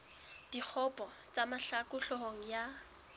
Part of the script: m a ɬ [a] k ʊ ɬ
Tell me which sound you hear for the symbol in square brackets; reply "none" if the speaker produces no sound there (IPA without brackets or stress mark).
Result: a